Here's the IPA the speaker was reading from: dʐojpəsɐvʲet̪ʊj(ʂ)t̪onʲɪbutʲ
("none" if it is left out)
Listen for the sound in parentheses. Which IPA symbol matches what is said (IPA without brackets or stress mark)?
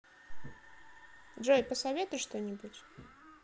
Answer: ʂ